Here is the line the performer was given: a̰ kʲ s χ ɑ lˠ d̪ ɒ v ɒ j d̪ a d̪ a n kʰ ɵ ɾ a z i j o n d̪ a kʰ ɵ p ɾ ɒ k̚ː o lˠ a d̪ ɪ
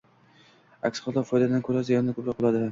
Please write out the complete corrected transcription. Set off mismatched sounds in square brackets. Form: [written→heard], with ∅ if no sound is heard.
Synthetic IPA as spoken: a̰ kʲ s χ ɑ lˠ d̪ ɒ [v→f] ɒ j d̪ a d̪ a n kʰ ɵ ɾ a z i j [o→ɒ] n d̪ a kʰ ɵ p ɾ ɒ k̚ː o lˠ a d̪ ɪ